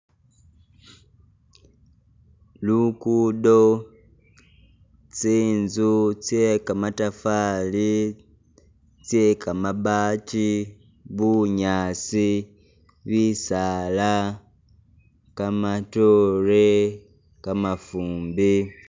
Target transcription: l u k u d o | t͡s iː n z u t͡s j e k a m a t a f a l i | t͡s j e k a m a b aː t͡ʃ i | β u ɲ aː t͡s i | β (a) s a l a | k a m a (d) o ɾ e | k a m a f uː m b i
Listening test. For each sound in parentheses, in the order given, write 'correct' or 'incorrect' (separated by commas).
incorrect, incorrect